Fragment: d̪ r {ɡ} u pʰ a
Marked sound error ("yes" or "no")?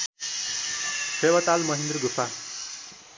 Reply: no